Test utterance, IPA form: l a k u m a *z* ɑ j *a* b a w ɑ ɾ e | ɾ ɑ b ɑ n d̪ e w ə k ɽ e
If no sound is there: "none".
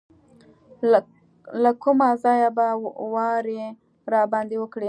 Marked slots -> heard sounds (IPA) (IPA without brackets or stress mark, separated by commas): z, a